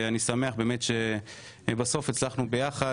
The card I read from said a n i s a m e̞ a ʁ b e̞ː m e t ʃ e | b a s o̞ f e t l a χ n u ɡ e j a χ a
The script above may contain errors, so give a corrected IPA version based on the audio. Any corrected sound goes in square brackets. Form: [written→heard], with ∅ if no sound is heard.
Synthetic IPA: a n i s a m e̞ a [ʁ→χ] b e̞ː m e t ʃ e | b a s o̞ f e [t→t͡s] l a χ n u [ɡ→b] e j a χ a